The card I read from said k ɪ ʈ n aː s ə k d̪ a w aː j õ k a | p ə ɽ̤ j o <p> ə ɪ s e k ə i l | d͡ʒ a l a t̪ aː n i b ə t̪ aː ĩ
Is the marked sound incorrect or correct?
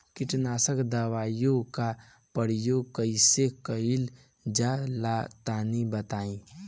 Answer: incorrect: k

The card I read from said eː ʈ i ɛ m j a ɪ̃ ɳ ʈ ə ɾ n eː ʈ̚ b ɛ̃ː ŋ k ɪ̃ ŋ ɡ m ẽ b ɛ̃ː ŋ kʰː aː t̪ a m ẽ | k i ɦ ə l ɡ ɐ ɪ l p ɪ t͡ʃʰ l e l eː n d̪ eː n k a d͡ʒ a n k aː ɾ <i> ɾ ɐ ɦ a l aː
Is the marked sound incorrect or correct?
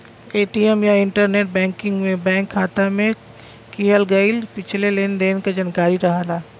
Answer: correct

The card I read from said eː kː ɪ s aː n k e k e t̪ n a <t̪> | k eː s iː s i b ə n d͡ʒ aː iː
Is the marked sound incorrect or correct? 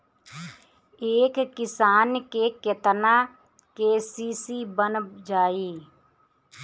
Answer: incorrect: none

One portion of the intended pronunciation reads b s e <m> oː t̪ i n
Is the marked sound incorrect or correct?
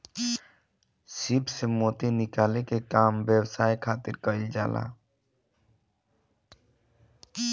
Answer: correct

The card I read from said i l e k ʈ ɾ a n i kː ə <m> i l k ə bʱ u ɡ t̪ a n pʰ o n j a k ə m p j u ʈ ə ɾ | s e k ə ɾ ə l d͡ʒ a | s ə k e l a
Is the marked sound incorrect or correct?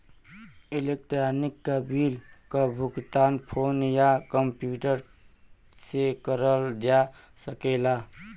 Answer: incorrect: b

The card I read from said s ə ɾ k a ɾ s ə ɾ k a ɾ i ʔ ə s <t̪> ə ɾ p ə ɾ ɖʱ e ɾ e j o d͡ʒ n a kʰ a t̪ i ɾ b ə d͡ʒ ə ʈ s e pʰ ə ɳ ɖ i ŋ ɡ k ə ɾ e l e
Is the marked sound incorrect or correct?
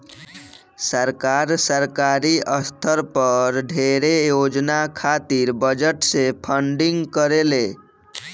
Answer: incorrect: t̪ʰ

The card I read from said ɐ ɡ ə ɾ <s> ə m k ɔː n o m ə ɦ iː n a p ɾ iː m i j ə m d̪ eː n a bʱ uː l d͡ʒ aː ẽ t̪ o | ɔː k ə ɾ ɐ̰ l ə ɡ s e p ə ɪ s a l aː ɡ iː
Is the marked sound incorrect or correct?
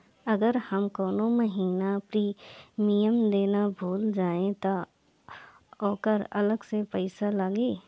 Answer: incorrect: h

